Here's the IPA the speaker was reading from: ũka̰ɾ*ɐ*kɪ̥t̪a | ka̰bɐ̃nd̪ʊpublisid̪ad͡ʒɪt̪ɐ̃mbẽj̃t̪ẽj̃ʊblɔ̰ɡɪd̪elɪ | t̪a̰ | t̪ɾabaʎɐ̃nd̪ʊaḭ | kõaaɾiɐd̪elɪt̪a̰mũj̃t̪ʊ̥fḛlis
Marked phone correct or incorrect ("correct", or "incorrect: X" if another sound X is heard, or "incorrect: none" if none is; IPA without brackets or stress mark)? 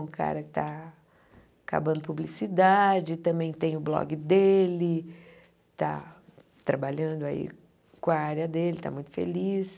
correct